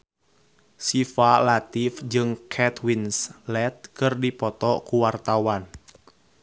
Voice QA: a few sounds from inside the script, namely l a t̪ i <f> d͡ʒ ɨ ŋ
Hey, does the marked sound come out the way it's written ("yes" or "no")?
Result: yes